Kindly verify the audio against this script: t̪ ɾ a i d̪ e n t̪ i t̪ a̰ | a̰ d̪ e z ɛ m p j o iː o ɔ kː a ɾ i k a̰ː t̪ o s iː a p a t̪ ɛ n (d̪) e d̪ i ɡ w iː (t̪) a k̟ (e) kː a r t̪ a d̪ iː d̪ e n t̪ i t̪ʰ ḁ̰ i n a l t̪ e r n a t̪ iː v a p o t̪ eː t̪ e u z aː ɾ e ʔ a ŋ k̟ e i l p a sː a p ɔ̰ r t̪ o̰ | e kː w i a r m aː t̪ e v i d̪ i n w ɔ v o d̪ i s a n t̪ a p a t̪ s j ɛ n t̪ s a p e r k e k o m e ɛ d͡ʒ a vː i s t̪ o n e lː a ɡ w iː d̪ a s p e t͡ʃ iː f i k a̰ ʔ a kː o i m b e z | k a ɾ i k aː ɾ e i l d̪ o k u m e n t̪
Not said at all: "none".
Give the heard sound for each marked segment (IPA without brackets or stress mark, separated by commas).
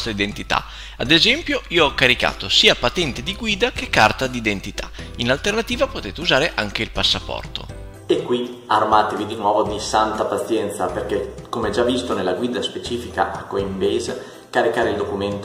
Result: t̪, d̪, e